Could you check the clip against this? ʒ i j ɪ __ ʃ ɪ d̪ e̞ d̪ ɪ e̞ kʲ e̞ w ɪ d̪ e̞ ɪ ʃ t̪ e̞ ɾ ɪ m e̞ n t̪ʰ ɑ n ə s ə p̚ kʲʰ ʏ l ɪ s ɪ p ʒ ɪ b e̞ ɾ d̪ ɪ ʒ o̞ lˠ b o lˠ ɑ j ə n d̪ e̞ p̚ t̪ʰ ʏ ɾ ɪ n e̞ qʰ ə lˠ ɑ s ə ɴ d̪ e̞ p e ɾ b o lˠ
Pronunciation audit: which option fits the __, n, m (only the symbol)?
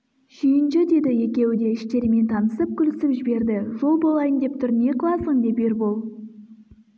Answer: n